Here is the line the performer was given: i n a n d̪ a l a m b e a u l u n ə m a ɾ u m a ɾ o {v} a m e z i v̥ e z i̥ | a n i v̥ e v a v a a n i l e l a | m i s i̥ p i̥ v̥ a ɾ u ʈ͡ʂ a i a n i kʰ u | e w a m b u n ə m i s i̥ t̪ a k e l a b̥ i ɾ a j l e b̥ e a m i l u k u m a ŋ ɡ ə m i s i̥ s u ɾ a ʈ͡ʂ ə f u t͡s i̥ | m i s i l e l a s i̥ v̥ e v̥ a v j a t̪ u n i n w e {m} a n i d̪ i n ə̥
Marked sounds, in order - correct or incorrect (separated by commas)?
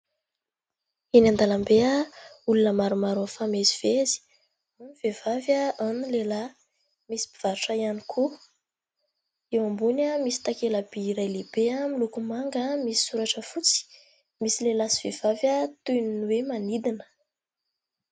incorrect, correct